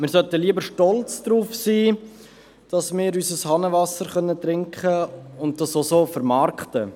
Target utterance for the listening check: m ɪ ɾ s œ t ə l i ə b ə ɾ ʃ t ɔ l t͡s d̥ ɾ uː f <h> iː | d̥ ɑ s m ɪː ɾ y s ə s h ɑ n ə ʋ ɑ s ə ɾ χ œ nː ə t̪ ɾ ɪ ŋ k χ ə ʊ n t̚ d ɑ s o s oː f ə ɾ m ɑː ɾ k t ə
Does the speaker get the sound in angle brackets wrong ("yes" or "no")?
yes